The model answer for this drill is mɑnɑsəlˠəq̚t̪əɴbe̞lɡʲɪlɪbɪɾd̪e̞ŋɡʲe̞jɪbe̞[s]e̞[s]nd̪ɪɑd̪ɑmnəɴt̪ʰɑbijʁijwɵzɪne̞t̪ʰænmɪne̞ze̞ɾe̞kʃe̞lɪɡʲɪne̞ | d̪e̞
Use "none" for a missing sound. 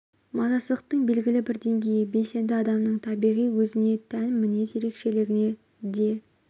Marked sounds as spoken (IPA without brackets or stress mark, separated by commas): s, none